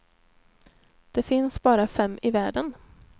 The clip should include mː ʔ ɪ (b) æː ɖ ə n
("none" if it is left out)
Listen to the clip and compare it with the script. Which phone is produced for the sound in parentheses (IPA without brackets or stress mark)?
v